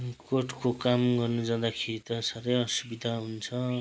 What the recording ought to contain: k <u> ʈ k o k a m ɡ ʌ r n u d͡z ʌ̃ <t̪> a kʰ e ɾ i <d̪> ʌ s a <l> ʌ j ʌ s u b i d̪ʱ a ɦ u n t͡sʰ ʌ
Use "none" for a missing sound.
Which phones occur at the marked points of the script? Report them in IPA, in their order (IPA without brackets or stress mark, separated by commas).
o, d̪, t̪, ɾ